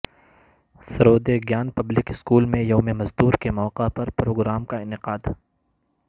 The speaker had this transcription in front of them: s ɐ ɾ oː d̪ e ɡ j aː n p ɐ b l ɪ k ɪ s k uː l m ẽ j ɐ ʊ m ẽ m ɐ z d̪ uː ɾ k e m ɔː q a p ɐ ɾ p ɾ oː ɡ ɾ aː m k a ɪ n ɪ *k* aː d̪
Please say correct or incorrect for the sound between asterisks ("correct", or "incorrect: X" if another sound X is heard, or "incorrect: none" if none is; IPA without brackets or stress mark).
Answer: incorrect: q